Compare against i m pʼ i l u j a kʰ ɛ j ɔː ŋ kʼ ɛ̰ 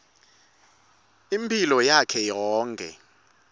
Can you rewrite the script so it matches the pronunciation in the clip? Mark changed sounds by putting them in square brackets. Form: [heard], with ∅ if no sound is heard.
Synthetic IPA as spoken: i m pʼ i l [ɔ] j a kʰ ɛ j ɔː ŋ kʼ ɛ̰